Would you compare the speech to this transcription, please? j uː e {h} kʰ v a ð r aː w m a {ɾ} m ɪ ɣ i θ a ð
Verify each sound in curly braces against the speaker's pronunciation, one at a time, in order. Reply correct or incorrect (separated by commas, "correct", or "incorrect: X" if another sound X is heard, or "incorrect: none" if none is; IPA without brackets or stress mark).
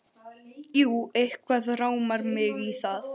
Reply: correct, correct